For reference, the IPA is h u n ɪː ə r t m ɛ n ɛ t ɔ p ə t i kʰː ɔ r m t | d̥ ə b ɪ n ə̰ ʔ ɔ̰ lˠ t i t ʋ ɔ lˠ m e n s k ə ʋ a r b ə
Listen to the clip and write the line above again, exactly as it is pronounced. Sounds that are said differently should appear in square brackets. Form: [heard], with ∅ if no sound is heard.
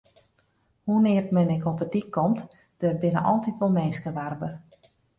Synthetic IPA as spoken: h u n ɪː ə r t m ɛ n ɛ [k] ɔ p ə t i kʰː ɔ [∅] m t | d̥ ə b ɪ n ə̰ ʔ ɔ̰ lˠ t i t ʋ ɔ lˠ m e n s k ə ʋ a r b ə

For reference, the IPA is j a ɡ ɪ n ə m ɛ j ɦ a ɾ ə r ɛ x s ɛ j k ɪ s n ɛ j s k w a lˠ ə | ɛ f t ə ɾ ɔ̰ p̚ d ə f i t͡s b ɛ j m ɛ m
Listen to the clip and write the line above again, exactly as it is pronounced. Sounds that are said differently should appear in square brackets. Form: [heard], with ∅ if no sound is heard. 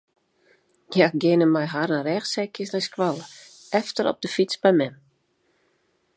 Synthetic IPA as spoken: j a ɡ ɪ n ə m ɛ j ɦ a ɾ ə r ɛ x s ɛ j k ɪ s n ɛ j s k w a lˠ ə | ɛ f t ə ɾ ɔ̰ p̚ d ə f i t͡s b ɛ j m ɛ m

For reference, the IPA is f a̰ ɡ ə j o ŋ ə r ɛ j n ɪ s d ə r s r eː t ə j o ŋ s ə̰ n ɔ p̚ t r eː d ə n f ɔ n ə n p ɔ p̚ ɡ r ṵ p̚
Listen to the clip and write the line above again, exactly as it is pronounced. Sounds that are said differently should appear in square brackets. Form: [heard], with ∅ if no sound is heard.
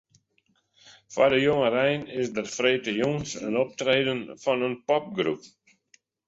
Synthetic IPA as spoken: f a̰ [d] ə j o ŋ ə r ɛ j n ɪ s d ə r [f] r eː t ə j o ŋ s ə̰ n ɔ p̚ t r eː d ə n f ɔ n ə n p ɔ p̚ ɡ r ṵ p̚

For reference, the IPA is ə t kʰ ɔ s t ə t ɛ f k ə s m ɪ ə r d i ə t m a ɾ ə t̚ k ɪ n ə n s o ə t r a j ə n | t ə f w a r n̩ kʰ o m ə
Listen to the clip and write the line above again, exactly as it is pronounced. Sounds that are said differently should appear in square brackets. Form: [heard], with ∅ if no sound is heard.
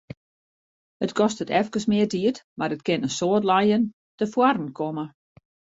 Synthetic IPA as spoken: ə t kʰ ɔ s t ə t ɛ f k ə s m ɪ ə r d i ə t m a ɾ ə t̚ k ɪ n ə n s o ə t [l] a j ə n | t ə f w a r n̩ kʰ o m ə

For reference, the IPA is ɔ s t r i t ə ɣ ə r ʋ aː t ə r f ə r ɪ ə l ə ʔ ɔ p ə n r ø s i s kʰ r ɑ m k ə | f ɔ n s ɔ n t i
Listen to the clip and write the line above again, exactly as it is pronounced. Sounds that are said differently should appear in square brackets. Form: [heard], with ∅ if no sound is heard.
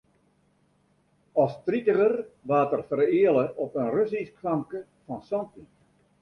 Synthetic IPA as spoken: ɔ s t r i t ə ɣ ə r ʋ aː t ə r f ə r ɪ ə l ə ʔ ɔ p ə n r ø s i s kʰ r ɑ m k ə | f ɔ n s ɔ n t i

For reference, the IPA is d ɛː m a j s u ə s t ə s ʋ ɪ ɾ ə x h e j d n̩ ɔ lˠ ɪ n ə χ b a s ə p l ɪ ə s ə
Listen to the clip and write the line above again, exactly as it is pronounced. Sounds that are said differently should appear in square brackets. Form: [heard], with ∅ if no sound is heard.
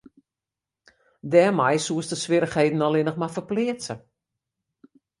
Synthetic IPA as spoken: d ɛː m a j s u ə s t ə s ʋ ɪ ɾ ə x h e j d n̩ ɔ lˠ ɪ n ə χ [m] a [f] ə p l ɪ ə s ə

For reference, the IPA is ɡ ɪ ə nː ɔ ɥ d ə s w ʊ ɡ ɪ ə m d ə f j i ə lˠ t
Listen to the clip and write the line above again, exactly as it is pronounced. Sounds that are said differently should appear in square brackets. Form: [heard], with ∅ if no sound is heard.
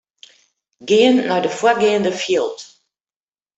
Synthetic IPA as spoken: ɡ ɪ ə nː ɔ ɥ d ə [f] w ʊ ɡ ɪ ə [n] d ə f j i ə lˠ t

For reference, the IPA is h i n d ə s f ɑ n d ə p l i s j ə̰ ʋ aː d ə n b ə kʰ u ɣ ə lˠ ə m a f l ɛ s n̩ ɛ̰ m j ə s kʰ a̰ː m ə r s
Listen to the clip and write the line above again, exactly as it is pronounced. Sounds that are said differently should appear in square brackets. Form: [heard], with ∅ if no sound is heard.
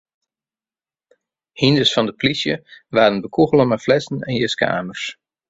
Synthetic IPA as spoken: h i n d ə s f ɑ n d ə p l i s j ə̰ ʋ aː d ə n b ə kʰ u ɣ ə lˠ ə m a f l ɛ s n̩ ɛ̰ [n] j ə s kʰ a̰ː m ə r s

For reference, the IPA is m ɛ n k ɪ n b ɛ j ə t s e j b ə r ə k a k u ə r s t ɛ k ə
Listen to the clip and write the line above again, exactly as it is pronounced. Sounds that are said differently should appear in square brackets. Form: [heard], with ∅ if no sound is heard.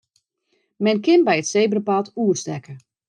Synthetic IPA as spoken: m ɛ n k ɪ n b ɛ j ə t s e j b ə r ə [p] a [t] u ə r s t ɛ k ə

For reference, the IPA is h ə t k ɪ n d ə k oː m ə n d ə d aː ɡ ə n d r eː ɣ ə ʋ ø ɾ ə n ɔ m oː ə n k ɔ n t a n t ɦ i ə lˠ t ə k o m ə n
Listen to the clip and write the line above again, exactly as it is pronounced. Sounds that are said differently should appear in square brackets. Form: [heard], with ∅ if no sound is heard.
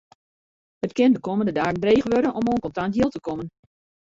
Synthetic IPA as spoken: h ə t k ɪ n d ə k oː m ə n d ə d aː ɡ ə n d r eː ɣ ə ʋ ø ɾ ə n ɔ m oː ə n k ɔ n t a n t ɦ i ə lˠ t ə k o m ə n

